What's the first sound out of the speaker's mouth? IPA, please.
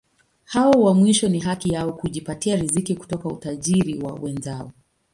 h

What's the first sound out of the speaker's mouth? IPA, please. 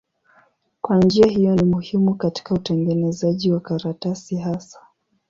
k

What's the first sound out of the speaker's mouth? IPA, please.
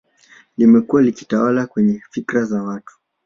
l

